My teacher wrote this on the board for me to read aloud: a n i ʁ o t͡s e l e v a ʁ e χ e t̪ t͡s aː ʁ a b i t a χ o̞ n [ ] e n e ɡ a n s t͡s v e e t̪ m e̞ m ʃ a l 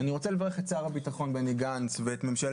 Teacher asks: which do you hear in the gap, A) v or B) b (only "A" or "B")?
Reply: B